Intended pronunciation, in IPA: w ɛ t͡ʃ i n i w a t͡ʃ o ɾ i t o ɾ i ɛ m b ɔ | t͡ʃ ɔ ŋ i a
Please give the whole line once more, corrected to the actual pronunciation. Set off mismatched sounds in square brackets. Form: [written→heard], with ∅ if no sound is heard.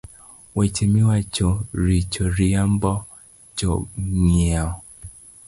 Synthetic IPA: w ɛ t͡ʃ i [n→m] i w a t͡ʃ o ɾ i [t→t͡ʃ] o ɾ i [ɛ→a] m b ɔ | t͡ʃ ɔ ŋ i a